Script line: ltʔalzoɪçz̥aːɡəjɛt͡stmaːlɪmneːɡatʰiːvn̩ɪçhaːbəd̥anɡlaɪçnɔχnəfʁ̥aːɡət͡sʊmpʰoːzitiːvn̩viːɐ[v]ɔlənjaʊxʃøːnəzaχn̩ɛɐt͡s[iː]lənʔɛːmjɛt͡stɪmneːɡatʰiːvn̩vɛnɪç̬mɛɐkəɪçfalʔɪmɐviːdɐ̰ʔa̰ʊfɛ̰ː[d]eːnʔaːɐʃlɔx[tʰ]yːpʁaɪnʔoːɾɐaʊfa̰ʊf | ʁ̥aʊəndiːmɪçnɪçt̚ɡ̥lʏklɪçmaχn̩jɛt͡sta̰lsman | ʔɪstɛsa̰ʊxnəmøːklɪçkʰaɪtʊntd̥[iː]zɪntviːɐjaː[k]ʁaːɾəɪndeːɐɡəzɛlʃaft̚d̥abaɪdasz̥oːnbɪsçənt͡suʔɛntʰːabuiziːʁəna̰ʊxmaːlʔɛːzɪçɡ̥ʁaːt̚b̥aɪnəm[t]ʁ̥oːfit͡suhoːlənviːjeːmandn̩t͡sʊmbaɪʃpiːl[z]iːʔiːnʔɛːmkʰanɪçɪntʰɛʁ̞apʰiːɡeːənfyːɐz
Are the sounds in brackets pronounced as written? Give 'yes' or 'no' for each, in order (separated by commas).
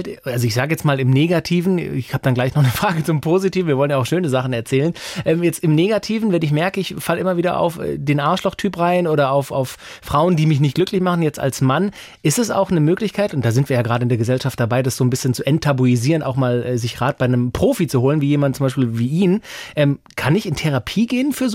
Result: yes, no, yes, yes, no, no, no, no